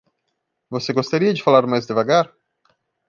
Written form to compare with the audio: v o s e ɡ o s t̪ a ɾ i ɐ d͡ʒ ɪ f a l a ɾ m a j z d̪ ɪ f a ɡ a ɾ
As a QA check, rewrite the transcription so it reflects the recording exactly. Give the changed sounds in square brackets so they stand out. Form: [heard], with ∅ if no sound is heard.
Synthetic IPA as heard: v o s e ɡ o s t̪ a ɾ i ɐ d͡ʒ ɪ f a l a ɾ m a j z d̪ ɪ [v] a ɡ a ɾ